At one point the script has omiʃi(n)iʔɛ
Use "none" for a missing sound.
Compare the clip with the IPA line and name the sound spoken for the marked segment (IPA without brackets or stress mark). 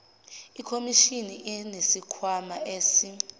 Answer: n